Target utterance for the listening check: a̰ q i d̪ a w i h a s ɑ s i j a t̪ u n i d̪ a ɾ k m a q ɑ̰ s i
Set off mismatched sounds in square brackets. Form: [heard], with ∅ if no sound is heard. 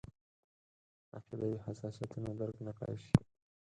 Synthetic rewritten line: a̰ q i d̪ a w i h a s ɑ s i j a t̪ u n [a] d̪ a ɾ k [n] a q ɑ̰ [ʃ] i